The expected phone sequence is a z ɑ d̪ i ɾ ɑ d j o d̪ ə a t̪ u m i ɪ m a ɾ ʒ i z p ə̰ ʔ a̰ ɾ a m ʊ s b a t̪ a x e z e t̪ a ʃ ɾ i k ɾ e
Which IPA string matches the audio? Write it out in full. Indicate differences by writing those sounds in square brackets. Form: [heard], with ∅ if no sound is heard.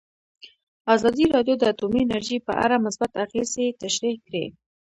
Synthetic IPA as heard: a z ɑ d̪ i ɾ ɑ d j o d̪ ə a t̪ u m i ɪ [n] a ɾ ʒ i [∅] p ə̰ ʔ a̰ ɾ a m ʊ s b a t̪ a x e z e t̪ a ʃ ɾ i k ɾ e